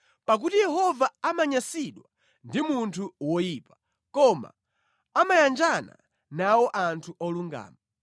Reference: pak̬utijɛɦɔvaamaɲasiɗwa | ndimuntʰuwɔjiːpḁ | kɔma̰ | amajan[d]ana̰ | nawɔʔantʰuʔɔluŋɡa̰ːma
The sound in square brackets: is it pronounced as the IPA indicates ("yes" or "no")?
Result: no